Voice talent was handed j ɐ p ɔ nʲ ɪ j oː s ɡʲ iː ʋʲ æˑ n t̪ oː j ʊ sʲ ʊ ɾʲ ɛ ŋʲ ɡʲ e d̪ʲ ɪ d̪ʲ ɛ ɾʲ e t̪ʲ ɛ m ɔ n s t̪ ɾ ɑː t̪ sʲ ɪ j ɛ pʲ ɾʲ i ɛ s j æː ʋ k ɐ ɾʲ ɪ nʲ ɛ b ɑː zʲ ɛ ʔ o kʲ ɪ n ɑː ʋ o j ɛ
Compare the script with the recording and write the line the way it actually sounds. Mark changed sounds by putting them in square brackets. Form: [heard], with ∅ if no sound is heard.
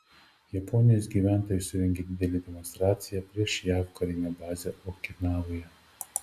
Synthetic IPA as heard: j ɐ p ɔ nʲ ɪ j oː s ɡʲ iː ʋʲ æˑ n t̪ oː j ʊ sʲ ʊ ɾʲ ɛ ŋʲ ɡʲ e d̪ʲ ɪ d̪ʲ ɛ [lʲ] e [d̪ʲ] ɛ m ɔ n s t̪ ɾ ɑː t̪ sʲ ɪ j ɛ pʲ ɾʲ i ɛ [ʃ] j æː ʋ k ɐ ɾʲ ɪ nʲ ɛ b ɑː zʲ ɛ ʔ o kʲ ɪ n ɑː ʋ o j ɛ